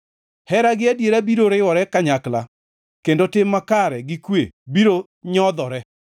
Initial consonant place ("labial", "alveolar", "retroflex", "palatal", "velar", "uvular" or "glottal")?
glottal